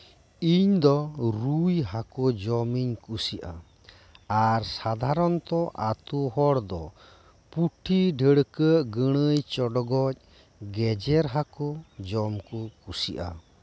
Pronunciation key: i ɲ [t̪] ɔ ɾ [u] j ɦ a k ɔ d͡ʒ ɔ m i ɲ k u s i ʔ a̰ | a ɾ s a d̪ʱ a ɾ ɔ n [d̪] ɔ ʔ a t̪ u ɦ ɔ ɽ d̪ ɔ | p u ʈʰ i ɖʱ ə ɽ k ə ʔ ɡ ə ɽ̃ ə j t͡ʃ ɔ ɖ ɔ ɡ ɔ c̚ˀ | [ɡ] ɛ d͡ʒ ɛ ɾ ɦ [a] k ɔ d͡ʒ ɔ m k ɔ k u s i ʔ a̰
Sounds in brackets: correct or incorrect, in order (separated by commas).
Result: incorrect, correct, incorrect, correct, correct